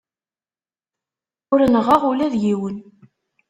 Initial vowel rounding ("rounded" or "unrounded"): rounded